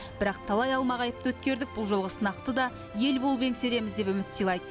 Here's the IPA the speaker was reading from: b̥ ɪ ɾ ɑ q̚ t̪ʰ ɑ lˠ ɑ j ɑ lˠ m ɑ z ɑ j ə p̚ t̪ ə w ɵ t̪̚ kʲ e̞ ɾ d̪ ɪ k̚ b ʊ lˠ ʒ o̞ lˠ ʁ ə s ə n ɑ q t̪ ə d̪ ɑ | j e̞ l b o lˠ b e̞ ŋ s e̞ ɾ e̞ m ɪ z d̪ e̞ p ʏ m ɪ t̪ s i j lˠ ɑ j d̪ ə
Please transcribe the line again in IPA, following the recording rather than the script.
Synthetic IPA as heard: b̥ ɪ ɾ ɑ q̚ t̪ʰ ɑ lˠ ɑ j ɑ lˠ m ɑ ʁ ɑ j ə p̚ t̪ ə w ɵ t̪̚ kʲ e̞ ɾ d̪ ɪ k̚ b ʊ lˠ ʒ o̞ lˠ ʁ ə s ə n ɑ q t̪ ə d̪ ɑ | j e̞ l b o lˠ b e̞ ŋ s e̞ ɾ e̞ m ɪ z d̪ e̞ p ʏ m ɪ t̪ s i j lˠ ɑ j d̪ ə